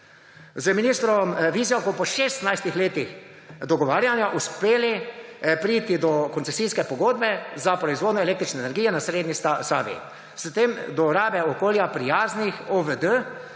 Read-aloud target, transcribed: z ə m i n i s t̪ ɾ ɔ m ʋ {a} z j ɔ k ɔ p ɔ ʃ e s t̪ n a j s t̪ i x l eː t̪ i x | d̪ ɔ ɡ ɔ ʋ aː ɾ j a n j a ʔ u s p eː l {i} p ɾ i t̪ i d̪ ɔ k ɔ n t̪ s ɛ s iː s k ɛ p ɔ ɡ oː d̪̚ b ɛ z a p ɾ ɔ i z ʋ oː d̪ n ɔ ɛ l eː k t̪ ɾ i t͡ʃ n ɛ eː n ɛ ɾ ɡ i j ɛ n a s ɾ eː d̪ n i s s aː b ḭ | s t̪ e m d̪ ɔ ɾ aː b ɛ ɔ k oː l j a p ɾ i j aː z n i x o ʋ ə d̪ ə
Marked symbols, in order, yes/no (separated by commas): no, yes